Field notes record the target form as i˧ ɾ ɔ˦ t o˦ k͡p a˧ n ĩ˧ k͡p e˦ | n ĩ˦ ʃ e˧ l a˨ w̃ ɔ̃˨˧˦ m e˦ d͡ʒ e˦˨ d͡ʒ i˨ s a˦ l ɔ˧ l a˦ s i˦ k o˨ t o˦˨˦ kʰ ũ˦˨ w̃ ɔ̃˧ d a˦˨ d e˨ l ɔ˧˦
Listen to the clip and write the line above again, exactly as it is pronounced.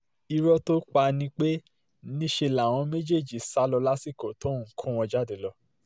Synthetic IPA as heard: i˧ ɾ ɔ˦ t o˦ k͡p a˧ n ĩ˧ k͡p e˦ | n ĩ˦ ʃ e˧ l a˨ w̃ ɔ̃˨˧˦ m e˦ d͡ʒ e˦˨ d͡ʒ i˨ s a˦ l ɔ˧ l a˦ s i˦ k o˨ t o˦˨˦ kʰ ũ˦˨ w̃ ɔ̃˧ d͡ʒ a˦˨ d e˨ l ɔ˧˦